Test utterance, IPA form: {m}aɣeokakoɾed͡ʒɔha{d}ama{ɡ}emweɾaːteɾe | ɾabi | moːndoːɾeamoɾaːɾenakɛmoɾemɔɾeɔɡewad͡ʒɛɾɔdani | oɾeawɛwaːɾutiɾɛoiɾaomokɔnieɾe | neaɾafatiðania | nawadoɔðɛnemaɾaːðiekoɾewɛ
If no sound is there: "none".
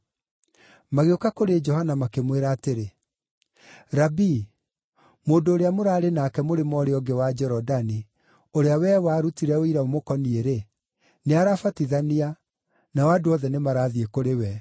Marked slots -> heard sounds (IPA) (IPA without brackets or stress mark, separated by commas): m, n, k